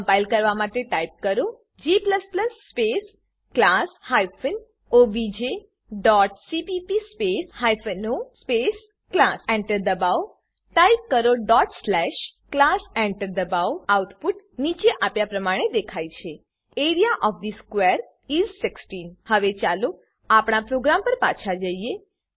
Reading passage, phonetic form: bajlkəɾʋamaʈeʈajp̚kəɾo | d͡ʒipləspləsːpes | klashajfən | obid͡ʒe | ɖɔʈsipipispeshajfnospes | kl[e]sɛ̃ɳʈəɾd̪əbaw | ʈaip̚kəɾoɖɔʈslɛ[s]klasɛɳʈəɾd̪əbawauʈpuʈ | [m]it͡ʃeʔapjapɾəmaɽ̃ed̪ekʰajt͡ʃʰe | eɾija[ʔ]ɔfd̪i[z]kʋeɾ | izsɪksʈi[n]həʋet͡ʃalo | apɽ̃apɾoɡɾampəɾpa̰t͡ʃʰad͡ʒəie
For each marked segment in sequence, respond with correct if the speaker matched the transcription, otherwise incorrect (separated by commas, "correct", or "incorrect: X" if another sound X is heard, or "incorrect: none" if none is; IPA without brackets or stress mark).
incorrect: a, incorrect: ʃ, incorrect: n, correct, incorrect: s, correct